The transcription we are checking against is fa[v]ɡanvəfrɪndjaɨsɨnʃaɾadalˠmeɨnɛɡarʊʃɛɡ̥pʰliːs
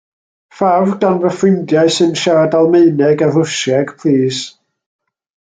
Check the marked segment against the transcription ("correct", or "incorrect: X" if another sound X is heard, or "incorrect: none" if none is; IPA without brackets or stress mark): correct